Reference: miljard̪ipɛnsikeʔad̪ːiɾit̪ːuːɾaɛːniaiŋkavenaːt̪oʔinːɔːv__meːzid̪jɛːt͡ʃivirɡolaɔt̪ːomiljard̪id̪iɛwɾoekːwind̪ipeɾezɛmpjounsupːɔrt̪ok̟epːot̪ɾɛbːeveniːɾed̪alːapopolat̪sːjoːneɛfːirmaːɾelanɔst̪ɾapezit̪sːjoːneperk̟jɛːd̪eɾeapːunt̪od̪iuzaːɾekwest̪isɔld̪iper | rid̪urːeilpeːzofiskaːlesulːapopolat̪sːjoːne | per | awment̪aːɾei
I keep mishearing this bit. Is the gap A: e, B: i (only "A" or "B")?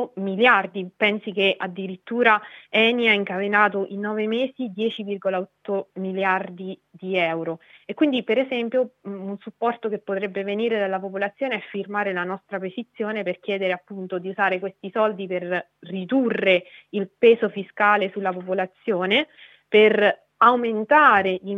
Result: A